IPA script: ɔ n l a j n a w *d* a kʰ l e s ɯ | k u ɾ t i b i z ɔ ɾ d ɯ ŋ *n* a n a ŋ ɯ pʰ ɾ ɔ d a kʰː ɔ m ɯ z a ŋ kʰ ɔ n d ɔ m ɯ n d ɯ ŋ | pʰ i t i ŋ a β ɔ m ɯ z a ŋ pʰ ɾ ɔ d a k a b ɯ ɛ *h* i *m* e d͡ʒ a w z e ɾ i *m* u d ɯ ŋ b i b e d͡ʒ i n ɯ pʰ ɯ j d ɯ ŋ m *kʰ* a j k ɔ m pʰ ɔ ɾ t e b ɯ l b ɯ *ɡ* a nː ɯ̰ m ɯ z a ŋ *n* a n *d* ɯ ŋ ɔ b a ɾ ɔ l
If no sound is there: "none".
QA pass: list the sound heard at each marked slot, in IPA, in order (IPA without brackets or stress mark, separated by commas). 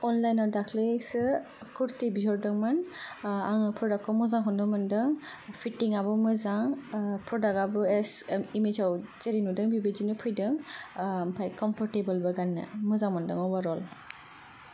d, m, s, m, n, pʰ, ɡ, m, d